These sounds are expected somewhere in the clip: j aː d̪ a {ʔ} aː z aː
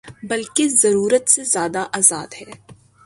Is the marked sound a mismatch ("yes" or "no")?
no